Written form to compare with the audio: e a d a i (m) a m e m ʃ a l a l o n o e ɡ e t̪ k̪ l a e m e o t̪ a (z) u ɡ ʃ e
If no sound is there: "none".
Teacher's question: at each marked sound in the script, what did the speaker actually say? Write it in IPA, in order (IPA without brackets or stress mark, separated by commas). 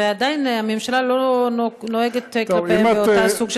n, s